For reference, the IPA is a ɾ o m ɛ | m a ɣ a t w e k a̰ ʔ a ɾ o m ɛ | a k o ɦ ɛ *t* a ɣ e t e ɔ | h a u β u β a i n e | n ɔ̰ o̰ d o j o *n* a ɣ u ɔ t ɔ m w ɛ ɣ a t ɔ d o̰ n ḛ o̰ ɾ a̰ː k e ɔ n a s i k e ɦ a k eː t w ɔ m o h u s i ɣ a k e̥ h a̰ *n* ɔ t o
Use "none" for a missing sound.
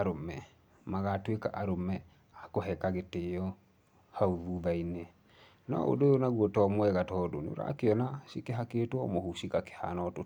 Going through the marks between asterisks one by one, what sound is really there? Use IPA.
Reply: k, n, n

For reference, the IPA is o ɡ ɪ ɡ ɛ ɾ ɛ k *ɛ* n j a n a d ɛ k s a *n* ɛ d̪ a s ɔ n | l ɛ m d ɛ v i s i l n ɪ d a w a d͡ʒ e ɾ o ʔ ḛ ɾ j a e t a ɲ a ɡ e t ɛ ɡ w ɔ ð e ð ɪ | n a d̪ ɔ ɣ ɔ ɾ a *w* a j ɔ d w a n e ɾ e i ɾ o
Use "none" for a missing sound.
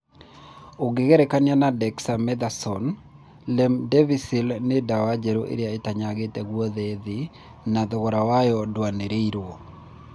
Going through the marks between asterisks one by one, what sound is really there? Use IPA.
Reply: a, m, w

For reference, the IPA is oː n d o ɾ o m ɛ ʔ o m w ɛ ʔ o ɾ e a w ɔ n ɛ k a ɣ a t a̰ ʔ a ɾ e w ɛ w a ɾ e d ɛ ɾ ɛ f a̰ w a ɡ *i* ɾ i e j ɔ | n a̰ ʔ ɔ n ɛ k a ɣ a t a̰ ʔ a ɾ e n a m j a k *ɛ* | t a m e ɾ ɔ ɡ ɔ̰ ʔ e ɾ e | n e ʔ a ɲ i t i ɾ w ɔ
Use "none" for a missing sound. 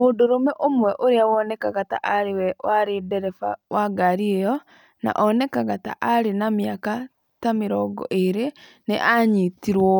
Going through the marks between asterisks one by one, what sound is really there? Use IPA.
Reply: a, a

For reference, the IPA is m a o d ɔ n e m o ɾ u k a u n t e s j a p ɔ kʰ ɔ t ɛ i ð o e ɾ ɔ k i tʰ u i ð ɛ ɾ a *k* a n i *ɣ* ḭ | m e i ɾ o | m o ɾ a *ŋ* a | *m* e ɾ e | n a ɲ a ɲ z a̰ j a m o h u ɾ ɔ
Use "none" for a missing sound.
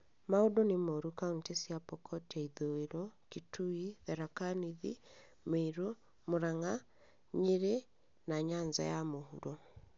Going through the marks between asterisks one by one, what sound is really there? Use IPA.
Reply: k, ð, ŋ, ɲ

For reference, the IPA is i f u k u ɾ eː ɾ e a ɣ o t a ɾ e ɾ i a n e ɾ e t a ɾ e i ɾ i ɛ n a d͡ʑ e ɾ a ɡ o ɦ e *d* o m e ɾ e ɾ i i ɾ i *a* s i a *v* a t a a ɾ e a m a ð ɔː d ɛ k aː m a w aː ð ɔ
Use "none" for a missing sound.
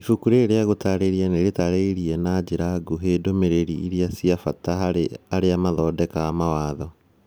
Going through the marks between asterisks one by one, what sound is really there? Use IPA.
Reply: d, a, f

